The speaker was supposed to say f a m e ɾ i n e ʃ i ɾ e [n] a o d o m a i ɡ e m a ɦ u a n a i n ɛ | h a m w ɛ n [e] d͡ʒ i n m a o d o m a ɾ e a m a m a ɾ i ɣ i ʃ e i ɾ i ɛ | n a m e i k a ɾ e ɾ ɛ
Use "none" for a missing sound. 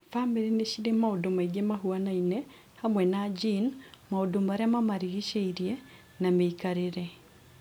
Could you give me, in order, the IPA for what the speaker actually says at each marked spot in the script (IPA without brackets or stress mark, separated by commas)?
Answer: m, a